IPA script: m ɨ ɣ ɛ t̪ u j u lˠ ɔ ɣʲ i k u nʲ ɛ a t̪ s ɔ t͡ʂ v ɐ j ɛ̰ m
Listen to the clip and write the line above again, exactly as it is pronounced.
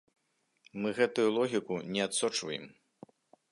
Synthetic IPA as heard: m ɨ ɣ ɛ t̪ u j u lˠ ɔ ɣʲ i k u nʲ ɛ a t̪ s ɔ t͡ʂ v ɐ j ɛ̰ m